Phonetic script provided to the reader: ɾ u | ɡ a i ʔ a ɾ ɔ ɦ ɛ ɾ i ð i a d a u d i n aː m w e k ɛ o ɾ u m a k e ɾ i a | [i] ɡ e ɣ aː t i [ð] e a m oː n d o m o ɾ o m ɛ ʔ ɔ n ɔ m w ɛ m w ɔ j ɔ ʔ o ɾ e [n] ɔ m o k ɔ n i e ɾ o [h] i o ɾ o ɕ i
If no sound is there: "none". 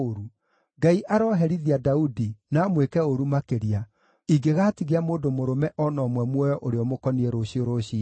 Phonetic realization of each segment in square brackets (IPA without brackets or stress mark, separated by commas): i, ɣ, none, ɕ